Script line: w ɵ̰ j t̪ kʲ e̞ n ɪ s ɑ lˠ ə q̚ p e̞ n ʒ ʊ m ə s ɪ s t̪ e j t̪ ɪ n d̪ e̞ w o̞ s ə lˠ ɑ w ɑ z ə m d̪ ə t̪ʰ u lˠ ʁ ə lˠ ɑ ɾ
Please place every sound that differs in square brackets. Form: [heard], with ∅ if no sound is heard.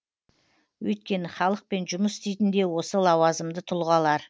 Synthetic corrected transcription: w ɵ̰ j t̪ kʲ e̞ n ɪ [χ] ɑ lˠ ə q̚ p e̞ n ʒ ʊ m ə s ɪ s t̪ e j t̪ ɪ n d̪ e̞ w o̞ s ə lˠ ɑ w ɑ z ə m d̪ ə t̪ʰ [ʊ] lˠ ʁ [ɑ] lˠ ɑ ɾ